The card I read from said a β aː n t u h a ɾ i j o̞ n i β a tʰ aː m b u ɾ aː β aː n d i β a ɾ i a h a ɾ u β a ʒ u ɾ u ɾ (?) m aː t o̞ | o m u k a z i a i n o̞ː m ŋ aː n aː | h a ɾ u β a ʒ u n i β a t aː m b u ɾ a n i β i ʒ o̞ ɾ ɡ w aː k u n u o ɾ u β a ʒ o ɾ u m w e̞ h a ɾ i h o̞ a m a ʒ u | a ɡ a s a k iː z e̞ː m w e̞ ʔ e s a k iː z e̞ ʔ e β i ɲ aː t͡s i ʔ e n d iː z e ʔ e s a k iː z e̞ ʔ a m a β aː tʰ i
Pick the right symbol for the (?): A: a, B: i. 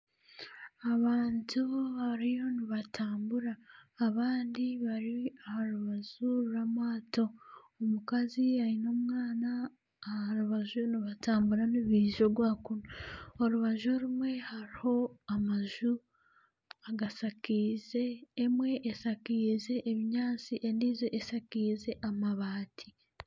A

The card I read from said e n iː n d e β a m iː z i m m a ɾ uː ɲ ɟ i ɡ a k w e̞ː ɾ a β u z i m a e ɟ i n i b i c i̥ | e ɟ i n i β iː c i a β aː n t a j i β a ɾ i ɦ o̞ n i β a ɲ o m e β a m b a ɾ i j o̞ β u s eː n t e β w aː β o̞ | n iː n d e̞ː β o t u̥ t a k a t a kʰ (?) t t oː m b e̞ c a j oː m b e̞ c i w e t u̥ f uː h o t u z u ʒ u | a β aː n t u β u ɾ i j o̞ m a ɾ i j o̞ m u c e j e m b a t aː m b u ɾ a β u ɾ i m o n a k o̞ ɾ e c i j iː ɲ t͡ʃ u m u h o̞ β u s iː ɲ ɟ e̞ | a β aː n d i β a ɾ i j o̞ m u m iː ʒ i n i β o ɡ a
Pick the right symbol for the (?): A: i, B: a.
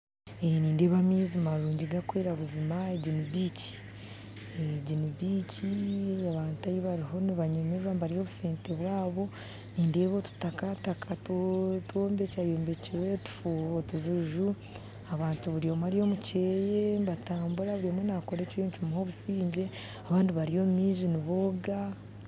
B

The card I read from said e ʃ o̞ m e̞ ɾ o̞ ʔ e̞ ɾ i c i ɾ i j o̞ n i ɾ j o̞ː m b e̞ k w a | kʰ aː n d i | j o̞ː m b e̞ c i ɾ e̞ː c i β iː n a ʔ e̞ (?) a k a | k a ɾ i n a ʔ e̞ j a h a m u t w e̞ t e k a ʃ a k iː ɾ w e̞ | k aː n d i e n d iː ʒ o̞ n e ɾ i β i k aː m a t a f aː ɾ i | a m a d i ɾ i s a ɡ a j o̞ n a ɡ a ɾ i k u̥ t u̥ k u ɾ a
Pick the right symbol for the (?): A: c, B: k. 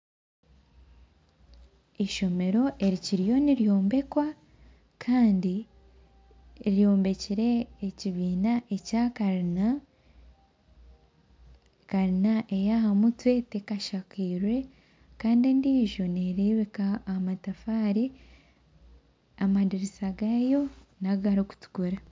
A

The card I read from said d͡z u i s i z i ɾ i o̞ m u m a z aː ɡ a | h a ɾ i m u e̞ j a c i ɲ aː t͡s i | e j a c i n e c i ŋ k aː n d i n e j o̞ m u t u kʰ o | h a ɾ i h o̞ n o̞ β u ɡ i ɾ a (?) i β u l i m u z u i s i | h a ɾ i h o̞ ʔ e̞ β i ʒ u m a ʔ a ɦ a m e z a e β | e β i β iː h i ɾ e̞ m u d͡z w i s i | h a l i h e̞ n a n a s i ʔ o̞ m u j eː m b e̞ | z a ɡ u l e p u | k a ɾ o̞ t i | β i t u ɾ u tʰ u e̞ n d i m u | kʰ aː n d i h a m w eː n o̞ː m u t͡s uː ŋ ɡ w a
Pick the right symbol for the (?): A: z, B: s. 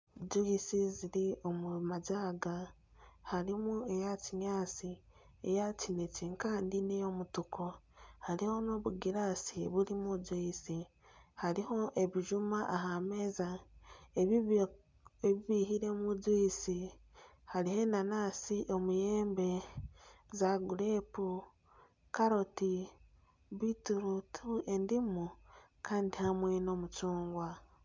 B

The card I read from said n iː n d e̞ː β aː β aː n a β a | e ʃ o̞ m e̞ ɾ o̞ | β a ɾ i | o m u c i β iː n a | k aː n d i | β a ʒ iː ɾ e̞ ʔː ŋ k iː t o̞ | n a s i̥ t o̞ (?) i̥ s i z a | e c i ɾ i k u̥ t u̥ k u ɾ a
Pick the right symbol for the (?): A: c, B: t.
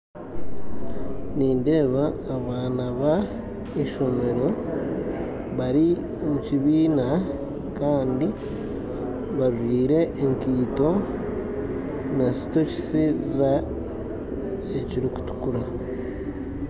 A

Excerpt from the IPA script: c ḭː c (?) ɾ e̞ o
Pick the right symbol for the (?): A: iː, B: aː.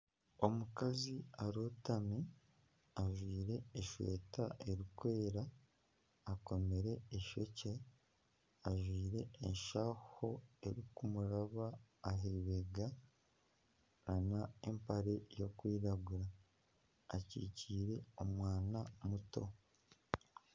A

